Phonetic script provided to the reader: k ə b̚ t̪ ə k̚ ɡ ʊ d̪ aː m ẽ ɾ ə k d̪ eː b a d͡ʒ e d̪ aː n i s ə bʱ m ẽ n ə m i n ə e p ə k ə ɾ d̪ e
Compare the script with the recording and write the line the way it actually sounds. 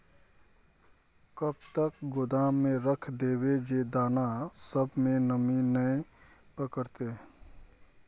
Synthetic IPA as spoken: k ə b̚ t̪ ə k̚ ɡ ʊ d̪ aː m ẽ ɾ ə kʰ d̪ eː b e d͡ʒ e d̪ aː n a s ə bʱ m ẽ n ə m i n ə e p ə k ə ɾ t̪ e